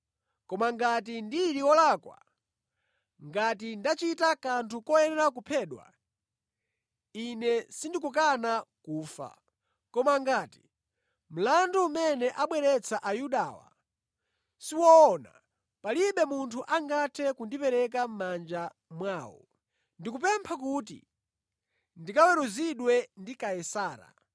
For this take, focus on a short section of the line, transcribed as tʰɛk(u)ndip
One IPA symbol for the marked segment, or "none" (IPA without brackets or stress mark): u